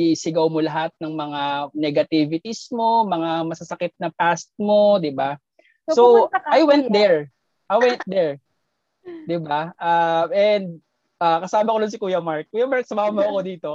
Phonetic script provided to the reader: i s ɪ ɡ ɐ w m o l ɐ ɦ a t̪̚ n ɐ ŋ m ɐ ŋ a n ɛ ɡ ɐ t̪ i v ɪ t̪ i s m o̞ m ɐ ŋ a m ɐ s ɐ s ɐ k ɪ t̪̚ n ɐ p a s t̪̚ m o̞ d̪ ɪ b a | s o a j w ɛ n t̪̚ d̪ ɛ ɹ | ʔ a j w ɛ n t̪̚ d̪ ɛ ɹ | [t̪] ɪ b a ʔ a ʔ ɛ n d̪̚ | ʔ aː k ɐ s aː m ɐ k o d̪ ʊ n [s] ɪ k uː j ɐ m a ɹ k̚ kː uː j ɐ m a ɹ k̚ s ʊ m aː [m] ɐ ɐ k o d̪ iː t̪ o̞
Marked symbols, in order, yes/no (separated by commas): no, yes, yes